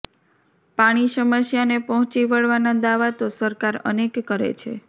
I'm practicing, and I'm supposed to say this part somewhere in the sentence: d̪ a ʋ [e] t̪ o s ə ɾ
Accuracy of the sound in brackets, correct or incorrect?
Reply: incorrect